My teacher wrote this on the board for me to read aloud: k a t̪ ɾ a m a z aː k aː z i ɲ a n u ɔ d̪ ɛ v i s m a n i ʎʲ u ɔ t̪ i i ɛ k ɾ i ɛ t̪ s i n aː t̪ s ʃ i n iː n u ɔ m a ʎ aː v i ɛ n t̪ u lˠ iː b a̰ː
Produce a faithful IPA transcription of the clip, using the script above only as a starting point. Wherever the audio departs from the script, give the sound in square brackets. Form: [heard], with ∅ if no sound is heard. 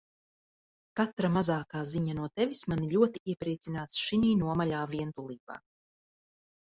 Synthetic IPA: k a t̪ ɾ a m a z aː k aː z i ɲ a n u ɔ [t̪] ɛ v i s m a n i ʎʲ u ɔ t̪ i i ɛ [p] ɾ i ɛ t̪ s i n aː t̪ s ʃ i n iː n u ɔ m a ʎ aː v i ɛ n t̪ u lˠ iː b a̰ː